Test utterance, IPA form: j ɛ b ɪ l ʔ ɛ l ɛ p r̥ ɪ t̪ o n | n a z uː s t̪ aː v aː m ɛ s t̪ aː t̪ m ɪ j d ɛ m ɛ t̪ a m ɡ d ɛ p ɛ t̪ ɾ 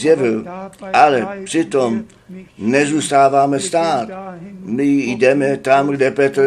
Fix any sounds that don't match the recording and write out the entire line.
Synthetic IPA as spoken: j ɛ v ɪ l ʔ a l ɛ p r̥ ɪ t̪ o m | n ɛ z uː s t̪ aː v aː m ɛ s t̪ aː t̪ m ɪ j d ɛ m ɛ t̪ a m ɡ d ɛ p ɛ t̪ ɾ